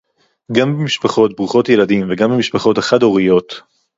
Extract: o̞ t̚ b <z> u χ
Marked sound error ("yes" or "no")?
yes